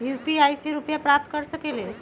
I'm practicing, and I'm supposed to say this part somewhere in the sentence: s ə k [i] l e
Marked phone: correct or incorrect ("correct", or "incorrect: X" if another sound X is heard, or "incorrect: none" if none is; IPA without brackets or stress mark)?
incorrect: e